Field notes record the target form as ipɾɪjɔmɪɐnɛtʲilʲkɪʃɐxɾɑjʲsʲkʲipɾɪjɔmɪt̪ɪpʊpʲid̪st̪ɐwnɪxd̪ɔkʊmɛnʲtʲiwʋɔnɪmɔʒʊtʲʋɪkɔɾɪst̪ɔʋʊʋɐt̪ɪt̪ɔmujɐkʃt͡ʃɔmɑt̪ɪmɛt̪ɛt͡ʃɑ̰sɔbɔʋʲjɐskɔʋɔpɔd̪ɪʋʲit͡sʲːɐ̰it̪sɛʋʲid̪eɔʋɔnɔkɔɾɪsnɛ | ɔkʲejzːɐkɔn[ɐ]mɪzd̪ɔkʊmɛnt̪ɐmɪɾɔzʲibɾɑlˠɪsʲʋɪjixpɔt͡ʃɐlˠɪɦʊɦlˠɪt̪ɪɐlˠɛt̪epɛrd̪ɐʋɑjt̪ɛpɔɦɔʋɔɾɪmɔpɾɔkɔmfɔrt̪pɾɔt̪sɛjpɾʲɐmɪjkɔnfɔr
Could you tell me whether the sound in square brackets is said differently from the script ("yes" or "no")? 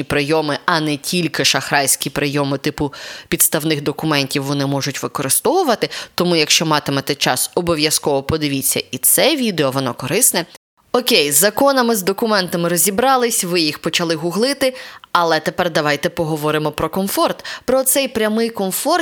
no